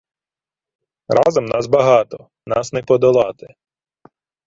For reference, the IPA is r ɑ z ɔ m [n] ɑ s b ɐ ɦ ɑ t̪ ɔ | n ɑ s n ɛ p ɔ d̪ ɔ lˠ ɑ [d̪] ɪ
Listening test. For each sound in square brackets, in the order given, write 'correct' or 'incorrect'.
correct, incorrect

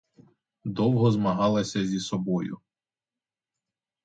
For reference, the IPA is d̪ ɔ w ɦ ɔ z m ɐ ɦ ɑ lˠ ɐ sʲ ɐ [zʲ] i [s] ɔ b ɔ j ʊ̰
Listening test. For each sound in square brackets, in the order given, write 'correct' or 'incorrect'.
correct, correct

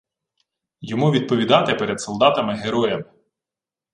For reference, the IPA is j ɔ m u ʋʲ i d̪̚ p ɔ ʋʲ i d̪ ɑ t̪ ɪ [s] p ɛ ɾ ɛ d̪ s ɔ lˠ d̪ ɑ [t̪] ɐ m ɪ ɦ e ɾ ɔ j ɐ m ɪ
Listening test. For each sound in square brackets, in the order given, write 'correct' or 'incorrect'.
incorrect, correct

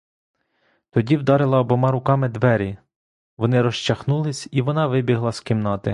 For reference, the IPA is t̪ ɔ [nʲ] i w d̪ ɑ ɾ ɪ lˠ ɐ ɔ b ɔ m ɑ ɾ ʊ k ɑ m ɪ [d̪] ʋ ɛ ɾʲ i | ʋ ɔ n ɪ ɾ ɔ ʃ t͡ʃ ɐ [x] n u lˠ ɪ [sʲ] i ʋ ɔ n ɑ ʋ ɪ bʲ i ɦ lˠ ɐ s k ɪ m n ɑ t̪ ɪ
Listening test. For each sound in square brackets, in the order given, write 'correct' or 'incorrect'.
incorrect, correct, correct, correct

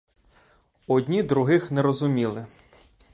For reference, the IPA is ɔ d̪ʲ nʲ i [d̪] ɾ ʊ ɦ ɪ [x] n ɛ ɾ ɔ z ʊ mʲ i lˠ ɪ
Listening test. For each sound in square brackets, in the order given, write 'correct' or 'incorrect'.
correct, correct

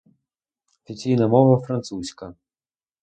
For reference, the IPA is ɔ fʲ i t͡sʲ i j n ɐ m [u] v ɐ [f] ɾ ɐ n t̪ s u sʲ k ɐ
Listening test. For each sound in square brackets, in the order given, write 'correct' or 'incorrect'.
incorrect, correct

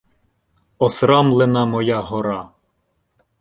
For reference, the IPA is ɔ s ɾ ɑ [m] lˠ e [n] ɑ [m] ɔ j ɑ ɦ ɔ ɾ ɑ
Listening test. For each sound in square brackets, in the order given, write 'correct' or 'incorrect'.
correct, correct, correct

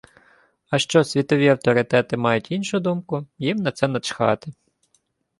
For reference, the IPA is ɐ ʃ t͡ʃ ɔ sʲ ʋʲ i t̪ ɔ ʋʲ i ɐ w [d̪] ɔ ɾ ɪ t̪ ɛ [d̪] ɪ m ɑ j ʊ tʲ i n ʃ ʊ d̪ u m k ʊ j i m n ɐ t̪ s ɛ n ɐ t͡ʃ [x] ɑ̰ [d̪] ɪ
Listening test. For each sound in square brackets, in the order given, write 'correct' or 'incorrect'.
incorrect, incorrect, correct, incorrect

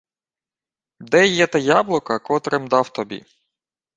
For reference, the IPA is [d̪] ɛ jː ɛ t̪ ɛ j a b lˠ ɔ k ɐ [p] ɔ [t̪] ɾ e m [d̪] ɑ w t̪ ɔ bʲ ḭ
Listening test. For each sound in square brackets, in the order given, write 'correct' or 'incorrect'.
correct, incorrect, correct, correct

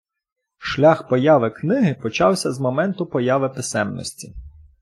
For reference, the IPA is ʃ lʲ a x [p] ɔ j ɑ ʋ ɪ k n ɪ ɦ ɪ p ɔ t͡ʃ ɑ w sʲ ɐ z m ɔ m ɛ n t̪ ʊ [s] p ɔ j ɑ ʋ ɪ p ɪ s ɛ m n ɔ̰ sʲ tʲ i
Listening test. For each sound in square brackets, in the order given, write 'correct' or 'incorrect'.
correct, incorrect

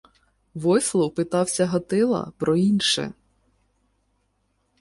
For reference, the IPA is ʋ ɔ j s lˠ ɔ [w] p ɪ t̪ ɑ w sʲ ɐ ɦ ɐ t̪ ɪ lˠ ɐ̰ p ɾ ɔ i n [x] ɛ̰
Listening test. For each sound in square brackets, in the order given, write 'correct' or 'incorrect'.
correct, incorrect

